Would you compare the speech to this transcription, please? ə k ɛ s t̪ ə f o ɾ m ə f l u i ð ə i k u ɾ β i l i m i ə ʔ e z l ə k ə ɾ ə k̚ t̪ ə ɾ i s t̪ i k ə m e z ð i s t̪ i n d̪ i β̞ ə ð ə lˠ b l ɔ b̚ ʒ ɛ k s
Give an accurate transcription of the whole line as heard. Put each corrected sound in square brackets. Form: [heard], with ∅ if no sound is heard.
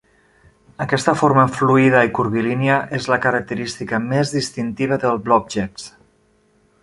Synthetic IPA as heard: ə k ɛ s t̪ ə f o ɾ m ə f l u i ð ə i k u ɾ β i l i [n] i ə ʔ e z l ə k ə ɾ ə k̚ t̪ ə ɾ i s t̪ i k ə m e z ð i s t̪ i n [t̪] i β̞ ə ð ə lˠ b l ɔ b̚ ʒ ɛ k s